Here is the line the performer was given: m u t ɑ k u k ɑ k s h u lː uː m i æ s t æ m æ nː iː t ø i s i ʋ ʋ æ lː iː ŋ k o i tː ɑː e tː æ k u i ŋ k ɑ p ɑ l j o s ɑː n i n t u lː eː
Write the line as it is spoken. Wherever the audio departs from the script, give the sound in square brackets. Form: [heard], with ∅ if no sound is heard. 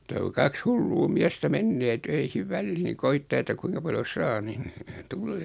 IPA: m u t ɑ k u k ɑ k s h u lː uː m i æ s t æ m [e] nː [eː] t ø i [h] i ʋ ʋ æ lː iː ŋ k o i tː ɑː e tː æ k u i ŋ k ɑ p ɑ l j o s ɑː n i n t u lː eː